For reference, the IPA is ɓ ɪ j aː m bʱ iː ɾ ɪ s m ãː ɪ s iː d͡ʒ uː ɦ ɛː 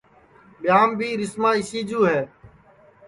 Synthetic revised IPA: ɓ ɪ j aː m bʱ iː ɾ ɪ s m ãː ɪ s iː d͡ʒ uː ɦ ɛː